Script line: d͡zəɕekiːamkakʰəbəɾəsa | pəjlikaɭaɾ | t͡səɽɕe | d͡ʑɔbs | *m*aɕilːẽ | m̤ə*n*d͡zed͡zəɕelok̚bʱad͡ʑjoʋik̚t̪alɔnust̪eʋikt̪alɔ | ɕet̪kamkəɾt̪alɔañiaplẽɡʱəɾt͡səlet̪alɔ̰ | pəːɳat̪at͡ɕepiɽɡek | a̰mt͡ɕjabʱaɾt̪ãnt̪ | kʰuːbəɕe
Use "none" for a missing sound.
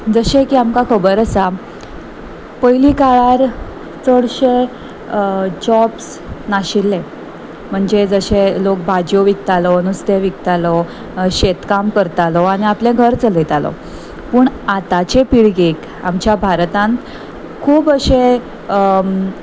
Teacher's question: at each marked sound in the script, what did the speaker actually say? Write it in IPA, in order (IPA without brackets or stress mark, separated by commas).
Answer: n, ɳ